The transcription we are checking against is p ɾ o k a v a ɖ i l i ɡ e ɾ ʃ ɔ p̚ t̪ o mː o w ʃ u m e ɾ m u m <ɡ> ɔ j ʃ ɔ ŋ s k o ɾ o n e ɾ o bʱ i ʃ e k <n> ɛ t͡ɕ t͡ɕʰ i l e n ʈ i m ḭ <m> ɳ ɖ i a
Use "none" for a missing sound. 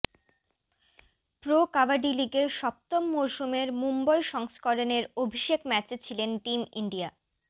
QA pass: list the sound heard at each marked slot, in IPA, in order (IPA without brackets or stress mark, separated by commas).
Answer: b, m, none